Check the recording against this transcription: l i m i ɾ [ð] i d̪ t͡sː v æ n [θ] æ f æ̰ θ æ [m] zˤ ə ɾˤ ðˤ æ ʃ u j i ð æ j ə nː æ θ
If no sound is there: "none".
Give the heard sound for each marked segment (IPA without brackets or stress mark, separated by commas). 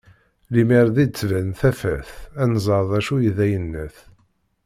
ð, θ, n